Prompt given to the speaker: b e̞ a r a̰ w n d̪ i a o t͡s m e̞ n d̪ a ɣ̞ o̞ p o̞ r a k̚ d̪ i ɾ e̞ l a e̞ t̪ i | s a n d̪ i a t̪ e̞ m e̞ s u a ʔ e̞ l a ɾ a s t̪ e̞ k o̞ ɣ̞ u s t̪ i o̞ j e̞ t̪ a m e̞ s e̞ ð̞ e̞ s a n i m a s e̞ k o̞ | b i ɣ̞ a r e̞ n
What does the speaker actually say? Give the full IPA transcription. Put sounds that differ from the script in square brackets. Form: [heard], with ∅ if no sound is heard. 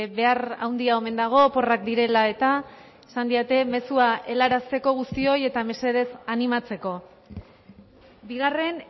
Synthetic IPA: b e̞ a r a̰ w n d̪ i a o [∅] m e̞ n d̪ a ɣ̞ o̞ p o̞ r a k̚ d̪ i ɾ e̞ l a e̞ t̪ [a] | s a n d̪ i a t̪ e̞ m e̞ s u a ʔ e̞ l a ɾ a s t̪ e̞ k o̞ ɣ̞ u s t̪ i o̞ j e̞ t̪ a m e̞ s e̞ ð̞ e̞ s a n i m a [t͡s] e̞ k o̞ | b i ɣ̞ a r e̞ n